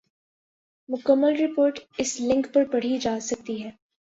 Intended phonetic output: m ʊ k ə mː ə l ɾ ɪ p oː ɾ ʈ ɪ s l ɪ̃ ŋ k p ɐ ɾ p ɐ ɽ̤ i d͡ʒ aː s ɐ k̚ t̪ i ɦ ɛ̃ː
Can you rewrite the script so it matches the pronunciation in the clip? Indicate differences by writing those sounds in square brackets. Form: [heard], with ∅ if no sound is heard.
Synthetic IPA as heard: m ʊ k ə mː ə l ɾ ɪ p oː ɾ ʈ ɪ s l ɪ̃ ŋ k p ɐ ɾ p ɐ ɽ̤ i d͡ʒ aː s ɐ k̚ t̪ i ɦ [ɛː]